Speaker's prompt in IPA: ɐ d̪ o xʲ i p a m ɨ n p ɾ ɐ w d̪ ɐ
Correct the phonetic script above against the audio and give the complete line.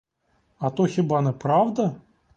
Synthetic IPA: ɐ t̪ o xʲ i b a n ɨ p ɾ a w d̪ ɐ